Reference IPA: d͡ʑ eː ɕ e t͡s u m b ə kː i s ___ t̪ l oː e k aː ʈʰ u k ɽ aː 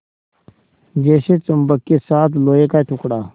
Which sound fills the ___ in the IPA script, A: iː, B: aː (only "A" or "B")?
B